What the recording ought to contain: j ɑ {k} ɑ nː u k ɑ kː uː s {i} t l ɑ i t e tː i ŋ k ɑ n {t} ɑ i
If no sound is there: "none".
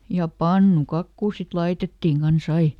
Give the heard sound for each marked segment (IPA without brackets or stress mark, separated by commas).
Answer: p, i, s